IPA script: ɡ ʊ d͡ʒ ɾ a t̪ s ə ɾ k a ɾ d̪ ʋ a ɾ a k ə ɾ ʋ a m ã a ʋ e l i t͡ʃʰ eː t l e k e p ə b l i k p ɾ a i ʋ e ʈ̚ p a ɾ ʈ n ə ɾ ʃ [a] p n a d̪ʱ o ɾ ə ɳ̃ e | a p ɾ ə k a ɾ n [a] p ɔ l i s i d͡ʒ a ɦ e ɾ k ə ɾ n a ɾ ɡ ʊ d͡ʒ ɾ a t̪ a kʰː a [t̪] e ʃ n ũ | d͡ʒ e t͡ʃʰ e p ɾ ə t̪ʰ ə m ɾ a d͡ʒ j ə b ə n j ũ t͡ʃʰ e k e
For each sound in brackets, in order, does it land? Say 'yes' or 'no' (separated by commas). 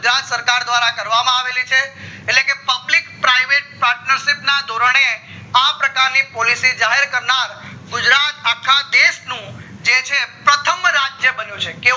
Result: no, no, no